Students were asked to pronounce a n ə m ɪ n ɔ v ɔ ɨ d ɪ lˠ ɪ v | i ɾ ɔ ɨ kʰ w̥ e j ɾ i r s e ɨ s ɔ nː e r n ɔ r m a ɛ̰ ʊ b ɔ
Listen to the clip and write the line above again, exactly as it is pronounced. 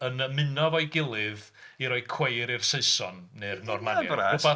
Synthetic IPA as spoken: ə n ə m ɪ n ɔ v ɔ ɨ ɡ ɪ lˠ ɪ ð | i ɾ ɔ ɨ kʰ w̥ e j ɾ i r s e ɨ s ɔ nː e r n ɔ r m a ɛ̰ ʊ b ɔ